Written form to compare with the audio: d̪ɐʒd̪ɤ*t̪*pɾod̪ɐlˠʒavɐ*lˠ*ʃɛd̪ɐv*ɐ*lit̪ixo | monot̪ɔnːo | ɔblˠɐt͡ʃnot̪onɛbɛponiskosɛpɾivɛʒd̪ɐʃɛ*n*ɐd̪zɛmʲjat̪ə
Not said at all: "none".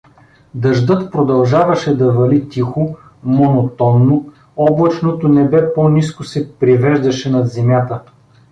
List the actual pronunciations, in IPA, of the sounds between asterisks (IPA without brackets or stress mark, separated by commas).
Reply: t̪, none, ɐ, n